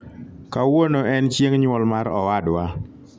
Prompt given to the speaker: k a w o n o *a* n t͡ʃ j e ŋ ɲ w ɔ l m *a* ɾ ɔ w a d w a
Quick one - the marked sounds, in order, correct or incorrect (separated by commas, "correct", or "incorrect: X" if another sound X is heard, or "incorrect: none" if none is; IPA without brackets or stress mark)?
incorrect: ɛ, correct